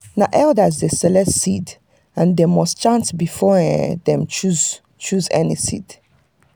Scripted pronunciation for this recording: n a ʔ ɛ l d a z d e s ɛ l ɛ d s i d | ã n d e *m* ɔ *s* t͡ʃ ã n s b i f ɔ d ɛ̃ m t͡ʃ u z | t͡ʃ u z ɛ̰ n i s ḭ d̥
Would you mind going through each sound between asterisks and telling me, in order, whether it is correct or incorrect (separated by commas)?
correct, correct